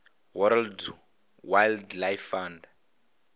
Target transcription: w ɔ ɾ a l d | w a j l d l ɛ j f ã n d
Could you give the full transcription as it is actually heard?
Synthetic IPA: w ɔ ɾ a l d | w a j l d l a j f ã n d